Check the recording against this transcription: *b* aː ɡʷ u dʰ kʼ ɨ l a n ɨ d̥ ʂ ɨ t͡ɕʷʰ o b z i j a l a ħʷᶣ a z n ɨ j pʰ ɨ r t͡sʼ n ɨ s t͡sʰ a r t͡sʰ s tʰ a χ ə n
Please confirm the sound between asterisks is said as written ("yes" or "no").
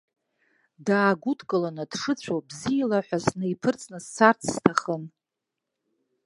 no